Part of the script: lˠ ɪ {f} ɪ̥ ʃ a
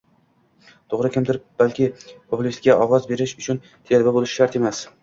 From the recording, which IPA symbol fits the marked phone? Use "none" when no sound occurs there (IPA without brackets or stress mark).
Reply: ʃ